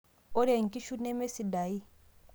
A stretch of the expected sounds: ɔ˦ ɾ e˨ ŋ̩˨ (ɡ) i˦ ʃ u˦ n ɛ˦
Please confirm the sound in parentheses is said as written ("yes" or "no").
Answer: no